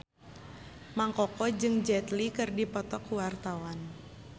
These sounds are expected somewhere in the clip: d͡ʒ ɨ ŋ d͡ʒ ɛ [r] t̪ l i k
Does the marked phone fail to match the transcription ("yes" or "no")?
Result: yes